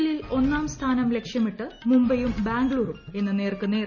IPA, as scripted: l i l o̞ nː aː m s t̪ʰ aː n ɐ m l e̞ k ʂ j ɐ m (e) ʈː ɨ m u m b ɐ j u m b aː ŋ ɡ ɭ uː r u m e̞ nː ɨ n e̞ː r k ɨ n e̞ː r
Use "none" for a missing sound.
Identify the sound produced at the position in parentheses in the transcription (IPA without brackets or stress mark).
i